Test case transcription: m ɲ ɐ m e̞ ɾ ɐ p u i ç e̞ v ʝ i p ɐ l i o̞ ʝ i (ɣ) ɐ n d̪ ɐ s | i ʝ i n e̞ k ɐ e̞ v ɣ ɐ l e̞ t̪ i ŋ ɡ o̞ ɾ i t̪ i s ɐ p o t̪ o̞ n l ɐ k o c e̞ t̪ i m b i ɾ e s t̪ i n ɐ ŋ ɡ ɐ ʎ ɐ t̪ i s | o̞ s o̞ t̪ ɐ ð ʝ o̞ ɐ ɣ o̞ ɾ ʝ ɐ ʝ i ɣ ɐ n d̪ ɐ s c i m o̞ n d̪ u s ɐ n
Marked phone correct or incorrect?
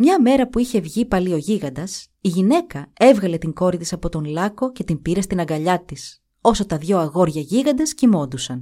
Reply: correct